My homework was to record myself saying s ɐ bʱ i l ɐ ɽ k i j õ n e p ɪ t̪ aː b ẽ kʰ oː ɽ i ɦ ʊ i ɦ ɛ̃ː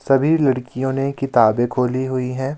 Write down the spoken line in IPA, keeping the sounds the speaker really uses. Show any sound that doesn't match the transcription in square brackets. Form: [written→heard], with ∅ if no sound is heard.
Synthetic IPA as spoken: s ɐ bʱ i l ɐ ɽ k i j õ n e [p→k] ɪ t̪ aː b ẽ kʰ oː [ɽ→l] i ɦ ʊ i ɦ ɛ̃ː